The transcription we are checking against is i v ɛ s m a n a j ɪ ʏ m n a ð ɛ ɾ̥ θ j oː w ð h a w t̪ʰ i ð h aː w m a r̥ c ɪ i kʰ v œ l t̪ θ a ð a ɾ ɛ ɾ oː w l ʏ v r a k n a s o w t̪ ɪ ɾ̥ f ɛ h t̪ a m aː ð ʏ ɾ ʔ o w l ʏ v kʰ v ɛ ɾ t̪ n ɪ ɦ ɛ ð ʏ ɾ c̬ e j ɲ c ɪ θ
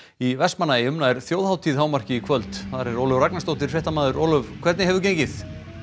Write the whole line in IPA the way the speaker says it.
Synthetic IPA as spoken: i v ɛ s m a n a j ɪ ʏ m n a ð ɛ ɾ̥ θ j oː w ð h a w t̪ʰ i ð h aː w m a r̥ c ɪ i kʰ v œ l t̪ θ a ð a ɾ ɛ ɾ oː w l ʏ v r a k n a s o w t̪ ɪ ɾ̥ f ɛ h t̪ a m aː ð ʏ ɾ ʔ o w l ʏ v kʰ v ɛ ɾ t̪ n ɪ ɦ ɛ v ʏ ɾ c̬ e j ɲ c ɪ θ